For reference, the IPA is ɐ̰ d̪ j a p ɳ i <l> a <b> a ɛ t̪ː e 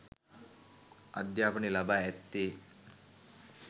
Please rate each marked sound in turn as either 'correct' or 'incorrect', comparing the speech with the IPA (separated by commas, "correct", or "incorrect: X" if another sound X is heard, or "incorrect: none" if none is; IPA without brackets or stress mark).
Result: correct, correct